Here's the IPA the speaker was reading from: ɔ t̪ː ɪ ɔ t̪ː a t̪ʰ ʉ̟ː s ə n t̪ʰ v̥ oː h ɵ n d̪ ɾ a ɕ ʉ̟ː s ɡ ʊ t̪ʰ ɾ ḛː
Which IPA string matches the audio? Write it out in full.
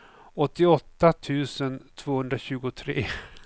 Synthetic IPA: ɔ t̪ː ɪ ɔ t̪ː a t̪ʰ ʉ̟ː s ə n t̪ʰ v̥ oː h ɵ n d̪ ɾ a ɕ ʉ̟ː ɡ ʊ t̪ʰ ɾ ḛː